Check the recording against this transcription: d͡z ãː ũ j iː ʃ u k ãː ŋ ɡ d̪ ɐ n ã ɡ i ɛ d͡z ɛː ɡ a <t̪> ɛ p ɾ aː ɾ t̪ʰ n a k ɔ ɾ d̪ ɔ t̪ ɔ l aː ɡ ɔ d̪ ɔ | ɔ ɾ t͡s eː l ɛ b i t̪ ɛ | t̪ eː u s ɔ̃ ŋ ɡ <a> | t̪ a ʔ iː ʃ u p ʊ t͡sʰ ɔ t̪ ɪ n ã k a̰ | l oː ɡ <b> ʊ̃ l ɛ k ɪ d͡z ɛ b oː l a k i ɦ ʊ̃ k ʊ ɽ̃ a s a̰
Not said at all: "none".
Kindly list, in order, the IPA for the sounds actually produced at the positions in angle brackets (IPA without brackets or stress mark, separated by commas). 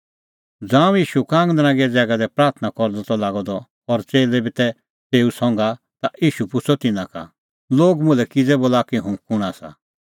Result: d̪, a, m